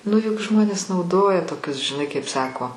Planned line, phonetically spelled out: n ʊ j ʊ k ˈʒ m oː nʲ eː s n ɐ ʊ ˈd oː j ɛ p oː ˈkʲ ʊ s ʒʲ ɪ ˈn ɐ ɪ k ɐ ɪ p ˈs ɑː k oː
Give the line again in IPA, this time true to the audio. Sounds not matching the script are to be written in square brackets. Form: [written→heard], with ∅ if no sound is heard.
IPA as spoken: n ʊ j ʊ k ˈʒ m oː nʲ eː s n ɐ ʊ ˈd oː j ɛ [p→t] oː ˈkʲ ʊ s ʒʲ ɪ ˈn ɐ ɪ k ɐ ɪ p ˈs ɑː k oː